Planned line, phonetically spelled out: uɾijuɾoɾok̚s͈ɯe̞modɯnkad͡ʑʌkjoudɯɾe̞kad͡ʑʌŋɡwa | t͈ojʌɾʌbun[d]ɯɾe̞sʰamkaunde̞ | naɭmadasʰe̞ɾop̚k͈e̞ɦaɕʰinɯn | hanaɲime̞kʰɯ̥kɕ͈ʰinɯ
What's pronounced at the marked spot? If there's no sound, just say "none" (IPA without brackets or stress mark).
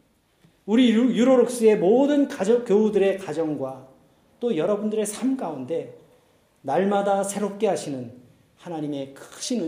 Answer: d